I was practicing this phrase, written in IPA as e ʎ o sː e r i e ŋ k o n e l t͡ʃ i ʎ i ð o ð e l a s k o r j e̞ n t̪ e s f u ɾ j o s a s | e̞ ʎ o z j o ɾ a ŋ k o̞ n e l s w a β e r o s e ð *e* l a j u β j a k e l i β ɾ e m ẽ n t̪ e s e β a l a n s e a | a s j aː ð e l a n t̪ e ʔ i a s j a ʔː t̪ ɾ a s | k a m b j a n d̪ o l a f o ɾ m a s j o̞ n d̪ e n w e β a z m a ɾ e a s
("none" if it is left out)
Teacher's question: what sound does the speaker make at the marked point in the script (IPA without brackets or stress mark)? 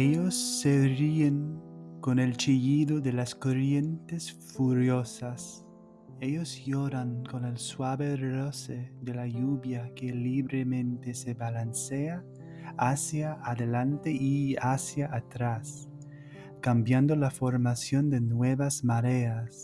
e